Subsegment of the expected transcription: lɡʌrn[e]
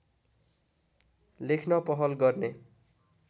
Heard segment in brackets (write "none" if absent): e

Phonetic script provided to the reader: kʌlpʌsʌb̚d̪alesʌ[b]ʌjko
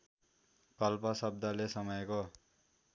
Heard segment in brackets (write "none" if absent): m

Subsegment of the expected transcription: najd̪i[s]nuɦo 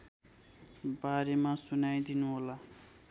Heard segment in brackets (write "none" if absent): none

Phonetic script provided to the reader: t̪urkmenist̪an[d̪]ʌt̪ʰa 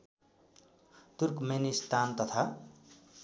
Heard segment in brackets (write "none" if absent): t̪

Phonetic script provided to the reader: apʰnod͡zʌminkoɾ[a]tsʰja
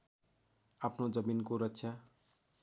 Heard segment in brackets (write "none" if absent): ʌ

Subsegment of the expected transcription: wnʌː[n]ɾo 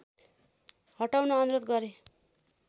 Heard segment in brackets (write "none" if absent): n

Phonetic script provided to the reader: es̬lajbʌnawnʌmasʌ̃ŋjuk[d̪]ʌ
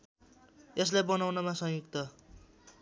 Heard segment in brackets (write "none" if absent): t̪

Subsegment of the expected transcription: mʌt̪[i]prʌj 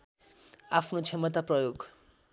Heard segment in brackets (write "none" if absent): a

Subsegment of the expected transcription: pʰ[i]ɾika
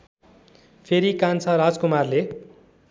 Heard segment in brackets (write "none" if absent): e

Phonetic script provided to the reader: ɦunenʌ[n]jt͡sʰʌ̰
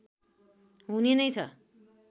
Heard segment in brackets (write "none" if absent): none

